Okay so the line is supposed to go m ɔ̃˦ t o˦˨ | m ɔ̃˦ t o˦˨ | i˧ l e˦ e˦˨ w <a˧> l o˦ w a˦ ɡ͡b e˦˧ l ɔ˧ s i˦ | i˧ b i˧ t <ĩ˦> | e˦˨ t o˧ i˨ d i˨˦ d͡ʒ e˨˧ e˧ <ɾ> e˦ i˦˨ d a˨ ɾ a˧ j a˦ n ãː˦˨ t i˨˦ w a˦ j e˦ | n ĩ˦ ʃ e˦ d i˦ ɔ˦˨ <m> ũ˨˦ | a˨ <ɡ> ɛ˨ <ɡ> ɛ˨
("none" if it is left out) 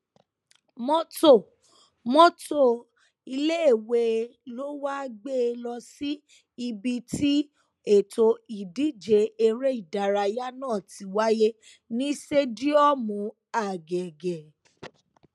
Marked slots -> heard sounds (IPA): e˧, i˦, ɾ, m, ɡ, ɡ

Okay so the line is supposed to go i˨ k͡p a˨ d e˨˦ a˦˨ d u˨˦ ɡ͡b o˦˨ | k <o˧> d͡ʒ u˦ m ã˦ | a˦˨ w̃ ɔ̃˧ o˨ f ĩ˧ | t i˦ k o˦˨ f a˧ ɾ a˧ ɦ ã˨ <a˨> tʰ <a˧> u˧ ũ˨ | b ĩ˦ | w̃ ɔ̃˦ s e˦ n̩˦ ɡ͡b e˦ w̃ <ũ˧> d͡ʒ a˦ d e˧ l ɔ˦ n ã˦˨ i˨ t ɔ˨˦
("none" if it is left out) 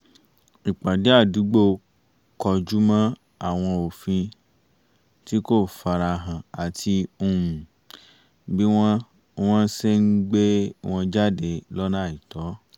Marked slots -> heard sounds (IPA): ɔ˧, a˨, i˧, ɔ̃˧

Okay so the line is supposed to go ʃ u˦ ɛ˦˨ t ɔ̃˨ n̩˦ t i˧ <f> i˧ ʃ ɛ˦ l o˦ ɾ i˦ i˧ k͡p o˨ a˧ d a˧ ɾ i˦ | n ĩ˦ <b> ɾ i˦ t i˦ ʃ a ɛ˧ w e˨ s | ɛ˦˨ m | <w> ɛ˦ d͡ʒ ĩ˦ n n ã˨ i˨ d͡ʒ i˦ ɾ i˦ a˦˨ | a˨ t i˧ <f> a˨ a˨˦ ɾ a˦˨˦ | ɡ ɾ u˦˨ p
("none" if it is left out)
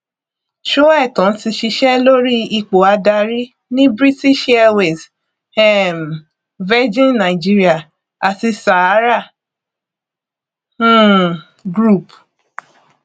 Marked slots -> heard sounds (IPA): ʃ, b, v, s

